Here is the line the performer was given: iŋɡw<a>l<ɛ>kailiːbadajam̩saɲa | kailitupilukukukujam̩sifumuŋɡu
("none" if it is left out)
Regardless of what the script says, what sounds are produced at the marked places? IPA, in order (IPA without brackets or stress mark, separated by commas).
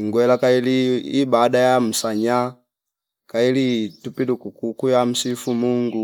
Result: ɛ, a